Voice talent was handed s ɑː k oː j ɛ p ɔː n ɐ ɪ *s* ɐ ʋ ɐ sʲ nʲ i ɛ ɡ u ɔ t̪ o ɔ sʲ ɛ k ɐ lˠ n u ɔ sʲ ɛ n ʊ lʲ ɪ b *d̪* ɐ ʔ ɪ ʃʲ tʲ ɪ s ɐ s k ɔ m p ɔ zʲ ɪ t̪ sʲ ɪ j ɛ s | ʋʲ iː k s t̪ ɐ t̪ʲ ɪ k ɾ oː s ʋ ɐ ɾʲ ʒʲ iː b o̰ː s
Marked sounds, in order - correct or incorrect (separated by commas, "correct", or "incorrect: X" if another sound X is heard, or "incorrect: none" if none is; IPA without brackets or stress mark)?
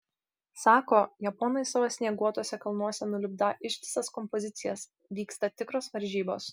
correct, correct